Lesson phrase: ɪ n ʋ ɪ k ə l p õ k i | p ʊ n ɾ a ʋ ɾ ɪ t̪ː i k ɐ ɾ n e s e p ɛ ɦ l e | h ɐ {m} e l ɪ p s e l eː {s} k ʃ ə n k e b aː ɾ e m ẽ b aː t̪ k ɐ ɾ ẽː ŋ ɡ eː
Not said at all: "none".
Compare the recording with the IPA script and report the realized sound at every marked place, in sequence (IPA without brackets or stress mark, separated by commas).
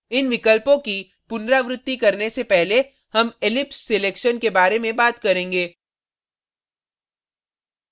m, none